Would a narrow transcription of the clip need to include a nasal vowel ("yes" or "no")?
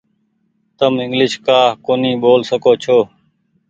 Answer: no